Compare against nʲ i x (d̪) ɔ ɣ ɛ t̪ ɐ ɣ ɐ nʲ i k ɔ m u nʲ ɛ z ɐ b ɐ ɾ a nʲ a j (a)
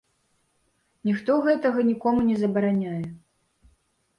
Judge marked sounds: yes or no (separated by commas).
no, no